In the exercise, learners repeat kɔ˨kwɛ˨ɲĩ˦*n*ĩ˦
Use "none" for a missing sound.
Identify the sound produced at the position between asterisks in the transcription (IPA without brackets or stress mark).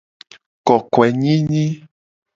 ɲ